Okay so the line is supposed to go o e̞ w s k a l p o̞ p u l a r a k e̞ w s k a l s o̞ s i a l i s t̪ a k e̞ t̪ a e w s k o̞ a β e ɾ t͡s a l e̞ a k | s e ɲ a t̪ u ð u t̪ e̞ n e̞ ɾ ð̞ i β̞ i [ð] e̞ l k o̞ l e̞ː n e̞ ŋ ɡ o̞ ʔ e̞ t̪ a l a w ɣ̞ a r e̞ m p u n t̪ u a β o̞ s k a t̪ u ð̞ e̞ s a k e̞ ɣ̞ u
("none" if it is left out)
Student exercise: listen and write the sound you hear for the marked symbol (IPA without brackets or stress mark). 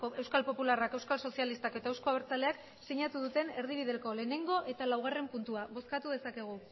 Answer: ð